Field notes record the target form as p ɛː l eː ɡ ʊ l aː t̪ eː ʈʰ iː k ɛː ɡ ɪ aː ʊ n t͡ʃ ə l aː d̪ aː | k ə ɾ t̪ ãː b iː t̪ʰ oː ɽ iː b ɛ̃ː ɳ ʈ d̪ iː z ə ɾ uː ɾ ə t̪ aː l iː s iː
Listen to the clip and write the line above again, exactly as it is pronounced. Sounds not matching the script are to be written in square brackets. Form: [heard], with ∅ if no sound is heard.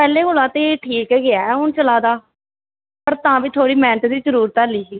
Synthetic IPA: p ɛː l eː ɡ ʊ l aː t̪ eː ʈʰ iː k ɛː ɡ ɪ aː ʊ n t͡ʃ ə l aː d̪ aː | [p] ə ɾ t̪ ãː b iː t̪ʰ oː ɽ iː [m] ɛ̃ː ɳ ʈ d̪ iː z ə ɾ uː ɾ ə t̪ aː l iː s iː